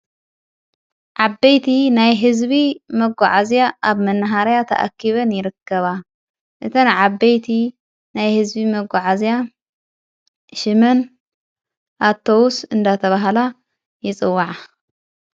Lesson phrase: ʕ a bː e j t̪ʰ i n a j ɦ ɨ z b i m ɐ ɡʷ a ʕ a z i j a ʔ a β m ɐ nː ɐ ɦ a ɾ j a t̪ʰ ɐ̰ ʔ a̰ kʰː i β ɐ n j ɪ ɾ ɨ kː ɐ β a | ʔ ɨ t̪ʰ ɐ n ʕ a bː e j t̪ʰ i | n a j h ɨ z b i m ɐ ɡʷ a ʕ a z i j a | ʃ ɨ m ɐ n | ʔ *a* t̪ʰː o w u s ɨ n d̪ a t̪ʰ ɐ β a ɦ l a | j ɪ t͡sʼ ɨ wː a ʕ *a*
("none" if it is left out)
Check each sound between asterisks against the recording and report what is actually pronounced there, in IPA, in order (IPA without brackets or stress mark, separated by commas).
a, a